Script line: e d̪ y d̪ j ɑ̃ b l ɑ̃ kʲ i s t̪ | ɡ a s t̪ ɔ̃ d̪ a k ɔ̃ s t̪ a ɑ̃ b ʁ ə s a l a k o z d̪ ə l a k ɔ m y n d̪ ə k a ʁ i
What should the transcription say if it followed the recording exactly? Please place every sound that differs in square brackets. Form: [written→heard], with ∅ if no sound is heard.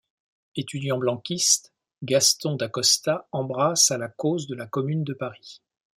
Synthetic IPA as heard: e [d̪→t̪] y d̪ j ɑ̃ b l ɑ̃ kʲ i s t̪ | ɡ a s t̪ ɔ̃ d̪ a k [ɔ̃→ɔ] s t̪ a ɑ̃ b ʁ [ə→a] s a l a k o z d̪ ə l a k ɔ m y n d̪ ə [k→p] a ʁ i